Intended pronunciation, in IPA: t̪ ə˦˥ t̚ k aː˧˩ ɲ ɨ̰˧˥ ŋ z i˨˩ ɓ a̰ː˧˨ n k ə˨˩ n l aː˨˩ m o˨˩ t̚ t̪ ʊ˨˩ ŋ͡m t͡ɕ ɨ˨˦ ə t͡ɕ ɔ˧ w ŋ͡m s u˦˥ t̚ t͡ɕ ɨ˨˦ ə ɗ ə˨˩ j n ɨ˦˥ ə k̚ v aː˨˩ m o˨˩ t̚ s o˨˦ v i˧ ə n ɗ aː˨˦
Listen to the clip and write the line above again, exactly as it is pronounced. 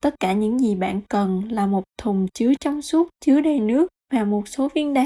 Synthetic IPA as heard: t̪ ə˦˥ t̚ k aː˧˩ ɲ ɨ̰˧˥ ŋ z i˨˩ ɓ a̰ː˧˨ n k ə˨˩ n l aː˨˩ m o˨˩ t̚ t̪ʰ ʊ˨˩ ŋ͡m t͡ɕ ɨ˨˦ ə t͡ɕ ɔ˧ w ŋ͡m s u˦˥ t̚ t͡ɕ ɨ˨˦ ə ɗ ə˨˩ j n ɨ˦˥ ə k̚ v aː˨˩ m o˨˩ t̚ s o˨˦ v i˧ ə n ɗ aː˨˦